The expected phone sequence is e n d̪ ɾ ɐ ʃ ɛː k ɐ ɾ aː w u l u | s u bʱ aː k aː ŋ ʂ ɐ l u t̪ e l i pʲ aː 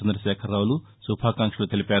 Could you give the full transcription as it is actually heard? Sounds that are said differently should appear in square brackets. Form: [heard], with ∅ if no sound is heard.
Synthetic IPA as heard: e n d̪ ɾ ɐ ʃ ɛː [kʰ] ɐ ɾ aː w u l u | s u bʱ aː k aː ŋ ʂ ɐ l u t̪ e l i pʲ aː